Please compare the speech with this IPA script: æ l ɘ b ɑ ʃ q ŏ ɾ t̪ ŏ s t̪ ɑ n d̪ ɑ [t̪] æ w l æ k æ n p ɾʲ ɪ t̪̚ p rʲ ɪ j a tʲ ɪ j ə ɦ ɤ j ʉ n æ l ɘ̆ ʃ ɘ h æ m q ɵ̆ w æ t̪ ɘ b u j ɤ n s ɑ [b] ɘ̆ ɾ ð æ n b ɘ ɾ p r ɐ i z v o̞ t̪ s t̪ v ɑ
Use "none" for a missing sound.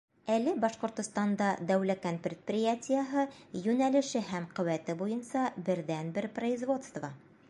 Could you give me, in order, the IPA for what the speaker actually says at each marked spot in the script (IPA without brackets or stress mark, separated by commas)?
d̪, b